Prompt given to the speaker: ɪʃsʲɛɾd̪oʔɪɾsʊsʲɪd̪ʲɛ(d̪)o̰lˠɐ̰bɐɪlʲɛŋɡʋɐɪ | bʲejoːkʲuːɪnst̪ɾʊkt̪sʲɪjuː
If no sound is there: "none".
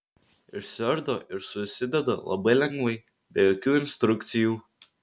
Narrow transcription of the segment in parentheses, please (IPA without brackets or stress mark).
d̪